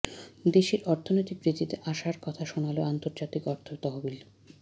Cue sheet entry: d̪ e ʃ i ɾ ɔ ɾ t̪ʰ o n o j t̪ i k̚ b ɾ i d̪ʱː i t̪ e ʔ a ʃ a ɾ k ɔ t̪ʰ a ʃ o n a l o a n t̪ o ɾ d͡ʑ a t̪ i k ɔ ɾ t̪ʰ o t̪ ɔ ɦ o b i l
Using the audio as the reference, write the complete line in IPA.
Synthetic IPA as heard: d̪ e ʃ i ɾ ɔ ɾ t̪ʰ o n o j t̪ i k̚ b ɾ i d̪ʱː i t̪ e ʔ a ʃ a ɾ k ɔ t̪ʰ a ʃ o n a l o a n t̪ o ɾ d͡ʑ a t̪ i k ɔ ɾ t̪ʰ o t̪ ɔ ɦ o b i l